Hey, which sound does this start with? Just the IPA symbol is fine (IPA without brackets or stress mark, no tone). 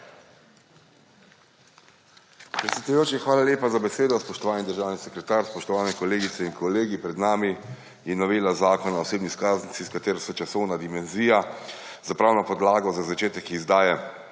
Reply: p